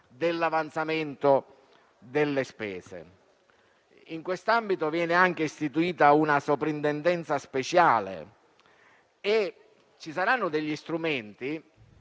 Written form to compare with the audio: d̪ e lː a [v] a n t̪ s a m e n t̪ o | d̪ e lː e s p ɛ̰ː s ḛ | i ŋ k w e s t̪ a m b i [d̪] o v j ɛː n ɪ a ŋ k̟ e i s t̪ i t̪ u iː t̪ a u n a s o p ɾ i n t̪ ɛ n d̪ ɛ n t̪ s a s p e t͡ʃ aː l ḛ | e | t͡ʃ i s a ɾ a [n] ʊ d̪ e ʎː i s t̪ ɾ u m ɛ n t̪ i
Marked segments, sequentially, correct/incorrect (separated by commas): correct, incorrect, incorrect